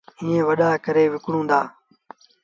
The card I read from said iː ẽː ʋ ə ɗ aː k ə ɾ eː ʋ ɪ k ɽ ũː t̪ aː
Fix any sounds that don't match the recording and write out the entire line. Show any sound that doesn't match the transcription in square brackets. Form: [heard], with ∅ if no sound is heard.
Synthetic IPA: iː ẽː ʋ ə ɗ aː k ə ɾ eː ʋ ɪ k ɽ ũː [d̪] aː